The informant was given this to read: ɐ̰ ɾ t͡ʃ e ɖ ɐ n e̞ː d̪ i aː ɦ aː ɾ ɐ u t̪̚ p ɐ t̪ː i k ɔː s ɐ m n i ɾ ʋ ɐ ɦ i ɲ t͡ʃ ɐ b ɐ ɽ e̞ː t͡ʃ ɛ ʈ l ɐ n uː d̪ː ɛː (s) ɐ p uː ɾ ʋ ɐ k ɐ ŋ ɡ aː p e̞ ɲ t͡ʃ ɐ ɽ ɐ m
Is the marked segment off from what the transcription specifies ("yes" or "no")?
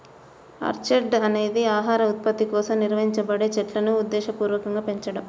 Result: yes